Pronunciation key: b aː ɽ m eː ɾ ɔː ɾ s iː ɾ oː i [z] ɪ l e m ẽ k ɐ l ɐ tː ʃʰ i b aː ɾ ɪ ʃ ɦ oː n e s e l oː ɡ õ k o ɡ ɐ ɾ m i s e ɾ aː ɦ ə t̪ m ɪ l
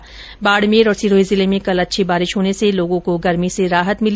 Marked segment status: correct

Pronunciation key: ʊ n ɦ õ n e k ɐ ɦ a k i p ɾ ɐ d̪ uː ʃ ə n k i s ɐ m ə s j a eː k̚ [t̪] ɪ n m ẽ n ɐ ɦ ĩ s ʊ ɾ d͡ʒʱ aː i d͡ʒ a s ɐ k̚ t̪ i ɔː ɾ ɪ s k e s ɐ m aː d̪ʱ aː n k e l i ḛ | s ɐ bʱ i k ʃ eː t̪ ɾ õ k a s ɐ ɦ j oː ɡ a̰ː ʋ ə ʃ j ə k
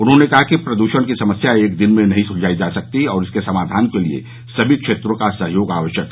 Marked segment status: incorrect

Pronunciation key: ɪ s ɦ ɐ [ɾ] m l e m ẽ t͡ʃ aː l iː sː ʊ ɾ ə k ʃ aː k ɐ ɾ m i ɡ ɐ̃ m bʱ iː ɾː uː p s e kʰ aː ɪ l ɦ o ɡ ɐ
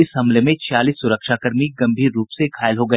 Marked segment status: incorrect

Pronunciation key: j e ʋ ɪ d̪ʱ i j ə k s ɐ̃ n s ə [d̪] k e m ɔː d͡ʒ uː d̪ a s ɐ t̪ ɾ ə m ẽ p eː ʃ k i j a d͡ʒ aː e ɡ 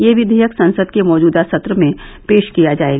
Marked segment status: correct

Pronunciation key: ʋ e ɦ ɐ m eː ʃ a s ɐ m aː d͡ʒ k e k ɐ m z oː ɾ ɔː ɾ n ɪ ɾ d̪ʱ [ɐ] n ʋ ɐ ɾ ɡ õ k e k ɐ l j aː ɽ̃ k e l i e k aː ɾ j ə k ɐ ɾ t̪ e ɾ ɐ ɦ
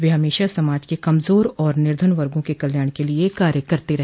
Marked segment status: incorrect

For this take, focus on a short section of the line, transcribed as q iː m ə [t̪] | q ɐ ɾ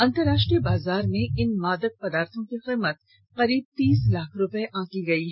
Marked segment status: correct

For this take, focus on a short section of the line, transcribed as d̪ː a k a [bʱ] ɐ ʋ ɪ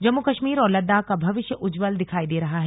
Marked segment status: correct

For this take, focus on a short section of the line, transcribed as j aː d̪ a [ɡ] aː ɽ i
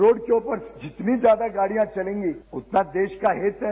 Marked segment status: correct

